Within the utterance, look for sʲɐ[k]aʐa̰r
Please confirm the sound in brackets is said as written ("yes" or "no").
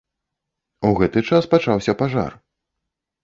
no